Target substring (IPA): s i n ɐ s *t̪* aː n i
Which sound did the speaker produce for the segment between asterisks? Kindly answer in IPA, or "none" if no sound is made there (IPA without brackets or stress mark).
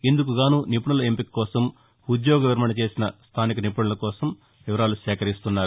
t̪ʰ